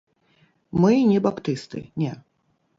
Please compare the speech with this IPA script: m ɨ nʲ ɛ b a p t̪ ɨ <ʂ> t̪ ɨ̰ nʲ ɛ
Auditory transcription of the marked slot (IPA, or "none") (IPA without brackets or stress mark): s